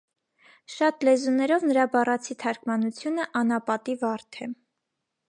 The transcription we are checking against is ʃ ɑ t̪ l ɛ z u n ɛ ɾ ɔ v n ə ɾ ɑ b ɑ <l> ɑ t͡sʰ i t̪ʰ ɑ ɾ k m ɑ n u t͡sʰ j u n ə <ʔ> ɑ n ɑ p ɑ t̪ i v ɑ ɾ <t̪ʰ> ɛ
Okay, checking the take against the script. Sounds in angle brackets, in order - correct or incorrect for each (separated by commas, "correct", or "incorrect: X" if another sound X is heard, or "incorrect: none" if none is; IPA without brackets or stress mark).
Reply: incorrect: r, correct, correct